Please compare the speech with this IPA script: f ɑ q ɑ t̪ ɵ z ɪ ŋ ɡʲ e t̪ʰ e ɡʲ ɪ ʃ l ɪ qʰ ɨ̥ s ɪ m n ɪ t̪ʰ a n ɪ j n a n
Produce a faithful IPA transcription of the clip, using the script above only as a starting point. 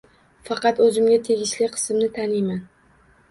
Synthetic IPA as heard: f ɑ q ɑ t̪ ɵ z ɪ m ɡʲ a t̪ʰ e ɡʲ ɪ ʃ l ɪ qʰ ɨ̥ s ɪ m n ɪ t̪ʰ a n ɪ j m a n